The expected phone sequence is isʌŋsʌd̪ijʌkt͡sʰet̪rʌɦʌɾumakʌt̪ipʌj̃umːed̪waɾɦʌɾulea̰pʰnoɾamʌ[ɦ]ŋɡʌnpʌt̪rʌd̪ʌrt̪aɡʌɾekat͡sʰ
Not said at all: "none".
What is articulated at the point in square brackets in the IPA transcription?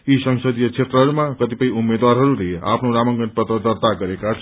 none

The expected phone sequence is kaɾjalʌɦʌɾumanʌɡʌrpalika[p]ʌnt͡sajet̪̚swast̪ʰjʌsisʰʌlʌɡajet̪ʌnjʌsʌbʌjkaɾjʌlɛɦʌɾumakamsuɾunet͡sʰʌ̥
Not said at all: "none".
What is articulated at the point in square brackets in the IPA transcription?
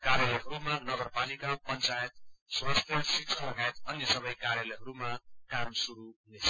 p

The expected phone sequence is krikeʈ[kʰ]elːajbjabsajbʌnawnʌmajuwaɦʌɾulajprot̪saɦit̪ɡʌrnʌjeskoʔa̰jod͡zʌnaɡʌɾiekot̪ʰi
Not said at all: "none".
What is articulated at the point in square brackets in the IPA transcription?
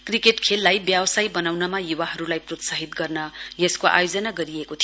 kʰ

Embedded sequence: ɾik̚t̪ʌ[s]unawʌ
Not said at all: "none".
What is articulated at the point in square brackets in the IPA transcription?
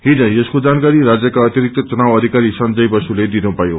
t͡s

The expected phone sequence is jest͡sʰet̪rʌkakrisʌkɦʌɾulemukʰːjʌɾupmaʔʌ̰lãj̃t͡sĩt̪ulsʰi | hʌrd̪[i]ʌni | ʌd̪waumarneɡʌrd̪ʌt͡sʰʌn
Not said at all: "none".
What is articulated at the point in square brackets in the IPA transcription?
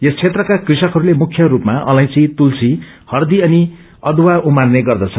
i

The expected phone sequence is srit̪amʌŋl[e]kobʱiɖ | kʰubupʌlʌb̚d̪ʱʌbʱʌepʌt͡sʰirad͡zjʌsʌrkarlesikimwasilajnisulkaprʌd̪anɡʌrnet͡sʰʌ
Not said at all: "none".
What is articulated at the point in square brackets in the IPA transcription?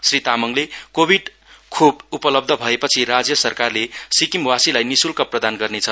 e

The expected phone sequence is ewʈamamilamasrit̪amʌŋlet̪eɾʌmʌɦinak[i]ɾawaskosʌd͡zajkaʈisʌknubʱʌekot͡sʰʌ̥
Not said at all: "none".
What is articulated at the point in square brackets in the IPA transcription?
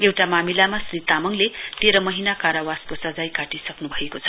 a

